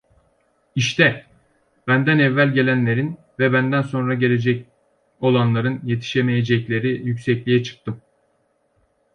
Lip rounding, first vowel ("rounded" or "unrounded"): unrounded